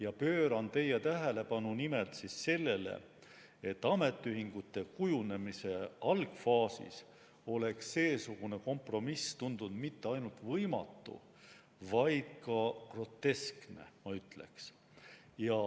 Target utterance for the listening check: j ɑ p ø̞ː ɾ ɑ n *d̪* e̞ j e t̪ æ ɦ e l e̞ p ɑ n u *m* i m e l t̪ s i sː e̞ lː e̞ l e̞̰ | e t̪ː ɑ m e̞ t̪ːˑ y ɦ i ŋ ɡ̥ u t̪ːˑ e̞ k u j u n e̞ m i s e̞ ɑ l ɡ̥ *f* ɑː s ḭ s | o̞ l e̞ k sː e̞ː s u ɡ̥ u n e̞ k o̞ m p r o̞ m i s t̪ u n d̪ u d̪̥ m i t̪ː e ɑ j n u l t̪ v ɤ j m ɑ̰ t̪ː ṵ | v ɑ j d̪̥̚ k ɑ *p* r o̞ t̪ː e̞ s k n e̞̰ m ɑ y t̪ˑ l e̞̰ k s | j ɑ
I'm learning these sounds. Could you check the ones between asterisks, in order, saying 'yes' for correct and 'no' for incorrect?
no, no, yes, no

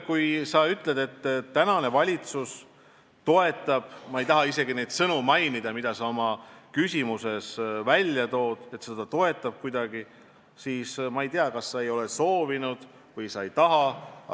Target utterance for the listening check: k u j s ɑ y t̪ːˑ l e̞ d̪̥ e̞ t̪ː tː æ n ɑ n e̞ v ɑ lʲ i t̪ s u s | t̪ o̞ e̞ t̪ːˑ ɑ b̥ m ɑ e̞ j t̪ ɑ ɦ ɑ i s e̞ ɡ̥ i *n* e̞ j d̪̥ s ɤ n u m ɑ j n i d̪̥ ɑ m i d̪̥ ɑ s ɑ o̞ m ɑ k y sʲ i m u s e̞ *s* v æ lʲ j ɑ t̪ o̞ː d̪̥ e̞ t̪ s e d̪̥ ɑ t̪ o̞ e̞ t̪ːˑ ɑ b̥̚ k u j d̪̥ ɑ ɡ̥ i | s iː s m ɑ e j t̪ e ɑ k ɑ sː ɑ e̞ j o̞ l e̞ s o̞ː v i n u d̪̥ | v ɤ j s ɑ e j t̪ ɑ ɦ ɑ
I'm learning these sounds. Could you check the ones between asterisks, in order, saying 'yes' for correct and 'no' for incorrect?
yes, yes

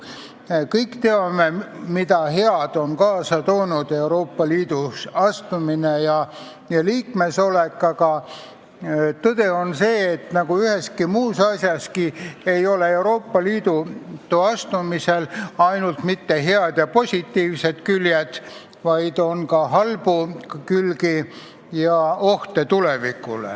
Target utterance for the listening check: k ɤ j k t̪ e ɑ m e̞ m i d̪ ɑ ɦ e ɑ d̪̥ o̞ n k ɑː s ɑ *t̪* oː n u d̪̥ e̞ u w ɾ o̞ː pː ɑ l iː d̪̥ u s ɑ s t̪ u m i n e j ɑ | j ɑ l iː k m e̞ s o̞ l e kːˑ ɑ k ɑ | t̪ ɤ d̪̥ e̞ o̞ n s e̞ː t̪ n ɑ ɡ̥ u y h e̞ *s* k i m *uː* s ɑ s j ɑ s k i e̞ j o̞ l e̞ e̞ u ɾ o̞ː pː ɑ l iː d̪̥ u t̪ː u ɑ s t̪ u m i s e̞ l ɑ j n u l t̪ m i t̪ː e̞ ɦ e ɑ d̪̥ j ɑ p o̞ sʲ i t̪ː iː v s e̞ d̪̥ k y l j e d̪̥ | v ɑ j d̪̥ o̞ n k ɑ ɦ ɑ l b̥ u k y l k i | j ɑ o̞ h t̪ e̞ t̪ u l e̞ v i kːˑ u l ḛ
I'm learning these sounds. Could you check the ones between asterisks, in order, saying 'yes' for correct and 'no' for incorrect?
yes, yes, yes

